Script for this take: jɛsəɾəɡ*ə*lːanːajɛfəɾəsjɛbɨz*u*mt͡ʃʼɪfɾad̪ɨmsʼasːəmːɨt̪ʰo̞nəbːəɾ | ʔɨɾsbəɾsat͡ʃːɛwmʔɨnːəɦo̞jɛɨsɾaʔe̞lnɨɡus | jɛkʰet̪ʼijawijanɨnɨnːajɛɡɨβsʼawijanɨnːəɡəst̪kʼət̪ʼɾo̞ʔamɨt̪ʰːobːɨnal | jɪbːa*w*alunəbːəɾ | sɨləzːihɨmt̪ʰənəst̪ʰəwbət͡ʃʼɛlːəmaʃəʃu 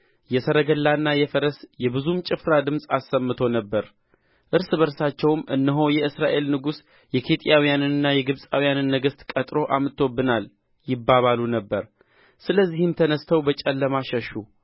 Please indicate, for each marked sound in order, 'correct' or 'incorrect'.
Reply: correct, correct, incorrect

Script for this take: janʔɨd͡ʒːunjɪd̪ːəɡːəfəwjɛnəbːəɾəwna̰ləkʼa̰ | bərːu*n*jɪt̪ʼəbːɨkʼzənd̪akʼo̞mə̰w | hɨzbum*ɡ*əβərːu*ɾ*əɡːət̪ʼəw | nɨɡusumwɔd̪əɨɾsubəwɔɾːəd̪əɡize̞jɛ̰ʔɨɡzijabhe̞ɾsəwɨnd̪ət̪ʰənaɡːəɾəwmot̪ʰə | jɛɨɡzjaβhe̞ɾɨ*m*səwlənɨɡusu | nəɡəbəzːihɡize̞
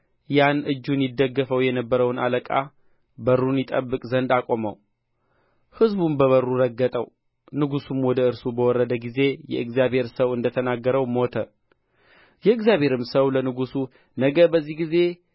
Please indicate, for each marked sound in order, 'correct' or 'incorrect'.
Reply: correct, incorrect, correct, correct

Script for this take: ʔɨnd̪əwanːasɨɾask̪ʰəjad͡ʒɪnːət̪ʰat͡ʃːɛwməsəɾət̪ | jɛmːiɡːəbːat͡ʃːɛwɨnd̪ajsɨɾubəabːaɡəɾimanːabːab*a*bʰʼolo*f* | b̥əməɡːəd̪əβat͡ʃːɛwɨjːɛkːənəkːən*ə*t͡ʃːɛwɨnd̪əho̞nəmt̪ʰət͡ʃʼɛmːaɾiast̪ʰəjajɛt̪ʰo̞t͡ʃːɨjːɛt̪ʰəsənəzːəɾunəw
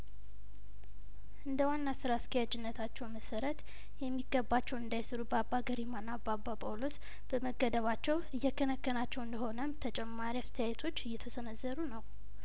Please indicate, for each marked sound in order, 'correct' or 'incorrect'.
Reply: correct, incorrect, incorrect

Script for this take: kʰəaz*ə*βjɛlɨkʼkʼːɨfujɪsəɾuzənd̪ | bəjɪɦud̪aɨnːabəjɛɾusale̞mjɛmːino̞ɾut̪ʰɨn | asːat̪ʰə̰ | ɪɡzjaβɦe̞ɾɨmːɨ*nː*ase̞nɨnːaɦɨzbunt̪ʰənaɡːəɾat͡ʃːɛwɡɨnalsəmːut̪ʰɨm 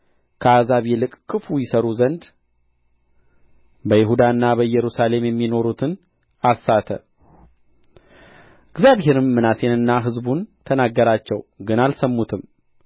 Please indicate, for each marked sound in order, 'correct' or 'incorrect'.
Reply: incorrect, incorrect

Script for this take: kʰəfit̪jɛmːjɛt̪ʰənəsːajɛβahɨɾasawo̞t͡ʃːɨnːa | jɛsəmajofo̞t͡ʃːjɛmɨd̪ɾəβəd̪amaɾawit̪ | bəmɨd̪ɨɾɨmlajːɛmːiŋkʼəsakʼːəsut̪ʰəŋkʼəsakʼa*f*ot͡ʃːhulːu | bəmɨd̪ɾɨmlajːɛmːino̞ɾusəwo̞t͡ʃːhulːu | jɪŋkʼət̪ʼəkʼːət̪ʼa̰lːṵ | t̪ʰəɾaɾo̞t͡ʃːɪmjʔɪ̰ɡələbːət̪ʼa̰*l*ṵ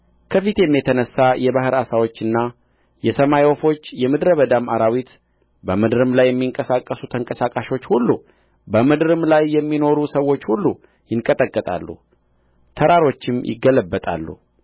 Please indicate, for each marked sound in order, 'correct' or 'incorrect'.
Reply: incorrect, incorrect

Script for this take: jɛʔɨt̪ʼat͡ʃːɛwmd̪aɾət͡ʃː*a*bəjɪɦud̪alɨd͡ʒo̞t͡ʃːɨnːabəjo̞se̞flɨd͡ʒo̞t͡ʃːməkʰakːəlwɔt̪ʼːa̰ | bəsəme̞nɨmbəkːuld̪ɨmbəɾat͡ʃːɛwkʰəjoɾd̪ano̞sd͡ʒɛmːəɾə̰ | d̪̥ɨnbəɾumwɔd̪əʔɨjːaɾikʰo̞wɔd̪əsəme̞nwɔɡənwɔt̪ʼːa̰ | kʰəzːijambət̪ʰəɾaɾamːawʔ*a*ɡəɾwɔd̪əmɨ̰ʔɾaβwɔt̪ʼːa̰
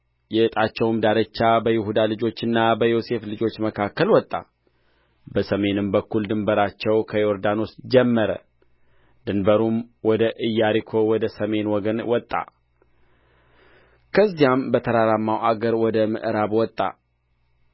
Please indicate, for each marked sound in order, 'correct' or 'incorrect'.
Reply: correct, correct

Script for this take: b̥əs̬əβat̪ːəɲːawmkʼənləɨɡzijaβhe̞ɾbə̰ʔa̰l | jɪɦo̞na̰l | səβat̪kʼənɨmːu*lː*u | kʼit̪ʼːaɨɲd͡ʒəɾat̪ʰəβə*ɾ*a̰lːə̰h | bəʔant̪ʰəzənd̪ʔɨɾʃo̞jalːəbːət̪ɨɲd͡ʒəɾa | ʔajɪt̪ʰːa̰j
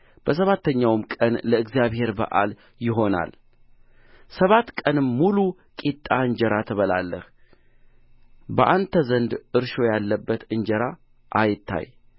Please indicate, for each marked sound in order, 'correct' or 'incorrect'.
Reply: incorrect, incorrect

